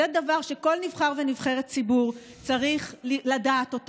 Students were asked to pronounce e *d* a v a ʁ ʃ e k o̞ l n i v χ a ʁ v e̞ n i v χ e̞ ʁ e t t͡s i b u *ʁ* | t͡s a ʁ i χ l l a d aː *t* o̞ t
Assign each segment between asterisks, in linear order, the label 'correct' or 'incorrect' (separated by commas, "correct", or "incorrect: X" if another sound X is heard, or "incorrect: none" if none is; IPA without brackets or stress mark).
correct, correct, correct